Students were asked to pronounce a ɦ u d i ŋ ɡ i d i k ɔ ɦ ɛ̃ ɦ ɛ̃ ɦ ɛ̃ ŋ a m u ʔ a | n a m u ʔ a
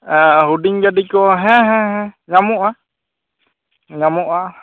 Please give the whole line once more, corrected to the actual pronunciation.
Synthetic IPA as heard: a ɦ u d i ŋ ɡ a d i k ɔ ɦ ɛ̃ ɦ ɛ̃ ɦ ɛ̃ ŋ a m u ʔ a | ŋ a m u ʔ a